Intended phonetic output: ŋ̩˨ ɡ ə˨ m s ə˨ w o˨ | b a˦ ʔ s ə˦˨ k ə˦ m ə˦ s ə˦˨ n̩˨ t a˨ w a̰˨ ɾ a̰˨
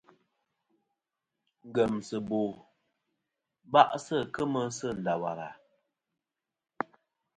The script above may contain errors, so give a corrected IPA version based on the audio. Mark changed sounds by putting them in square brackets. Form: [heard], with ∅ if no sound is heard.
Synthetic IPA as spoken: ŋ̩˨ ɡ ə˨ m s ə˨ [b] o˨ | b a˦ ʔ s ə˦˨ k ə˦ m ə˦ s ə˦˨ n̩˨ [d] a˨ w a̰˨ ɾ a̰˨